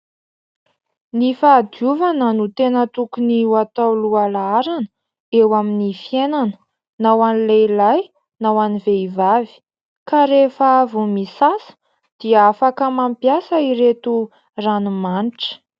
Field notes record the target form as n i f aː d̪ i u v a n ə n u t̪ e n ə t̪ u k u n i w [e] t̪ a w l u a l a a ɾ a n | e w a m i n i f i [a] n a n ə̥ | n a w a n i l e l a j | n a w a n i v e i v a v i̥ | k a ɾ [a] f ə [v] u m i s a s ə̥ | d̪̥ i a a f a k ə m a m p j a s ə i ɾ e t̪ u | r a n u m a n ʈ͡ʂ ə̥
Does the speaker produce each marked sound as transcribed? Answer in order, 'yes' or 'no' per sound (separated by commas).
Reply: no, no, no, yes